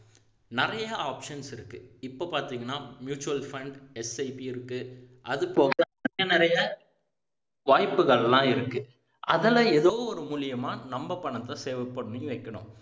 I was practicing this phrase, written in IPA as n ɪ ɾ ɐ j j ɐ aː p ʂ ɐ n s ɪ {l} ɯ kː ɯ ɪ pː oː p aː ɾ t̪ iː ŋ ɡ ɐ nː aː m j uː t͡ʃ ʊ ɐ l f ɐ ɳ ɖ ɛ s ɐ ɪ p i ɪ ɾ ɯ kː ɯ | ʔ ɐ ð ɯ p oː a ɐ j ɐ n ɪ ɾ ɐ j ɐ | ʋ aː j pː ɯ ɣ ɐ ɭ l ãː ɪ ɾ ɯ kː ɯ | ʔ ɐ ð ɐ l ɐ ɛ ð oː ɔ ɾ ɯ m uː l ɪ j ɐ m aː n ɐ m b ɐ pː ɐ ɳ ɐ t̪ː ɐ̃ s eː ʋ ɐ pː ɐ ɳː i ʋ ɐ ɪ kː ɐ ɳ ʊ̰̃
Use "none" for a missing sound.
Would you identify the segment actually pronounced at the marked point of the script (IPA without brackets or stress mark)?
ɾ